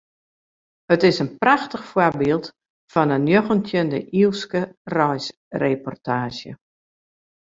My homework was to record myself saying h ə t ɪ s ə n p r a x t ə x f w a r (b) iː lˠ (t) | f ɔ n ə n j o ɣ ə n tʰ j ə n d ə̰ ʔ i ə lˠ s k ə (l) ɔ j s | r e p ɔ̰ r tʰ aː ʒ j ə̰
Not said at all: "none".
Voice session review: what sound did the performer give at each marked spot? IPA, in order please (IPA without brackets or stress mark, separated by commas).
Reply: b, t, r